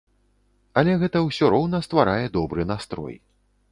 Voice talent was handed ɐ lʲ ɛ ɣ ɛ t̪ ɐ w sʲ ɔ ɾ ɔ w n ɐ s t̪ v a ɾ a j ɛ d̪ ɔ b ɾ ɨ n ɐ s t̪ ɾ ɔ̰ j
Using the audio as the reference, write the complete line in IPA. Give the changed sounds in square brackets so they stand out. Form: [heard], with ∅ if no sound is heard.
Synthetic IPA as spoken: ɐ lʲ ɛ ɣ ɛ t̪ ɐ w sʲ ɔ ɾ ɔ w n ɐ s t̪ v a ɾ a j ɛ d̪ ɔ b ɾ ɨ n [a] s t̪ ɾ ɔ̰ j